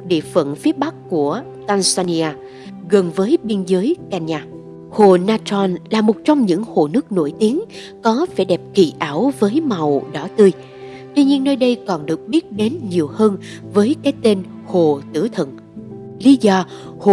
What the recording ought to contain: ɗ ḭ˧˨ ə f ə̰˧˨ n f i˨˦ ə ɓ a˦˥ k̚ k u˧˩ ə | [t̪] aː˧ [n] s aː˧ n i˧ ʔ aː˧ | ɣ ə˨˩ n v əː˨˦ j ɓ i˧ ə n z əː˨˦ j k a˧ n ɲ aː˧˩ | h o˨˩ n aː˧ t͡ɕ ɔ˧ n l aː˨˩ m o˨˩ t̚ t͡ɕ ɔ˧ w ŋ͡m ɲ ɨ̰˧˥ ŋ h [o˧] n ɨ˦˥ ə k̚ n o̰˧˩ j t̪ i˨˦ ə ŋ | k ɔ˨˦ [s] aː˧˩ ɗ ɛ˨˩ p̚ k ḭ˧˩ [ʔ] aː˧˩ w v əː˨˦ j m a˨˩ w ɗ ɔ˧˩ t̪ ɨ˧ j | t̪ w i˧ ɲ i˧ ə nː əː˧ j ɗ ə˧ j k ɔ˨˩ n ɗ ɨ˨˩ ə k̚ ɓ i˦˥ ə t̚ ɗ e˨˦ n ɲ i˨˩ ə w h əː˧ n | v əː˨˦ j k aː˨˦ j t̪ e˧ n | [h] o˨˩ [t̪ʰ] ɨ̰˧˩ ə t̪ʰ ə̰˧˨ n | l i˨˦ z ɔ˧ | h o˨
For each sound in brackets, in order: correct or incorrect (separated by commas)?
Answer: correct, correct, incorrect, incorrect, correct, correct, incorrect